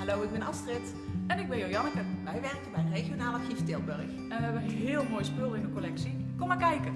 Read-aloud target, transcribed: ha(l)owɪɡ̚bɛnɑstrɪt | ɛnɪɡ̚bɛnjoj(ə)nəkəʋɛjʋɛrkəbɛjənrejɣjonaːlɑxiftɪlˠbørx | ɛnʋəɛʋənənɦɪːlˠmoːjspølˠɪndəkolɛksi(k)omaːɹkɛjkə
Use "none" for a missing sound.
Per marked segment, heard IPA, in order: l, ɑ, k

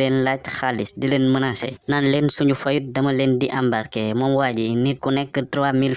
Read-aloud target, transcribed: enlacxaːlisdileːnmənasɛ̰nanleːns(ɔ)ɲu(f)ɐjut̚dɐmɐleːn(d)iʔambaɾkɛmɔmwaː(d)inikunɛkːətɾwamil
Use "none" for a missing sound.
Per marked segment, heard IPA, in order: u, f, d, ɟ

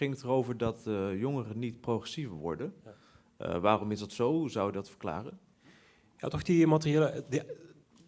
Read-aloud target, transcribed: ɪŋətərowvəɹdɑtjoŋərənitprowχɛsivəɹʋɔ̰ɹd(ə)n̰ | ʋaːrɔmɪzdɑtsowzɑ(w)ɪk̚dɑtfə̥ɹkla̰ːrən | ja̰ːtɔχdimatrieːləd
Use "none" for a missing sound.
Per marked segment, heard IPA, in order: ə, w

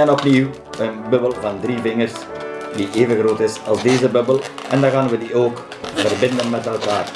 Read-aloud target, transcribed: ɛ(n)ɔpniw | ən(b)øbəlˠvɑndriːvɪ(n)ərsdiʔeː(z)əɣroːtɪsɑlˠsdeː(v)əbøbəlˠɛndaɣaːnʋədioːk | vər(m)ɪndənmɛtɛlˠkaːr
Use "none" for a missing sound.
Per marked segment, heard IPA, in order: n, b, ŋ, v, z, b

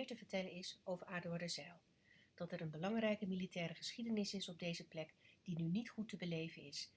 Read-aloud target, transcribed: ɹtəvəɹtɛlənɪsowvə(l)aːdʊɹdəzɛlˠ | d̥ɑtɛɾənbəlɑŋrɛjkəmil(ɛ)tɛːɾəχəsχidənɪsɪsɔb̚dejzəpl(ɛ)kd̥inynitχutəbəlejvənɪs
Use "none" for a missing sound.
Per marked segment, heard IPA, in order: ɹ, i, ɛ

